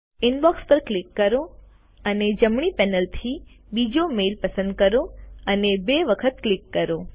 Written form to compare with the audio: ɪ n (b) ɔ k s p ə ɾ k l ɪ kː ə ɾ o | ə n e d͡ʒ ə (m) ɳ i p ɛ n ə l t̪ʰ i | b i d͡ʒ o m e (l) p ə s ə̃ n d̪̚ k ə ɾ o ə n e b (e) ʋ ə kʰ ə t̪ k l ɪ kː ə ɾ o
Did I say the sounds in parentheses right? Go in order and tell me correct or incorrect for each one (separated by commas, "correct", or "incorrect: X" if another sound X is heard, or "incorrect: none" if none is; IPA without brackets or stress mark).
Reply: correct, correct, correct, correct